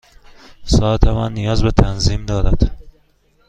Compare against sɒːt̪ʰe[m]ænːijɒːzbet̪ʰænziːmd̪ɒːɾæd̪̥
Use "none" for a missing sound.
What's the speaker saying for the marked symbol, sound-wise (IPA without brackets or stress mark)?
m